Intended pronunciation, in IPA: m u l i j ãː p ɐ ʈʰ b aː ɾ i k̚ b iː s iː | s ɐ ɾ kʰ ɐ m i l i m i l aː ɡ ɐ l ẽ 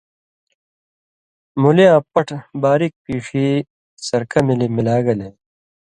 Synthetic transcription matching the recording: m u l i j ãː p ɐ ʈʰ b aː ɾ i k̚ p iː ʂ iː | s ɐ ɾ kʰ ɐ m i l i m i l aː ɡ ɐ l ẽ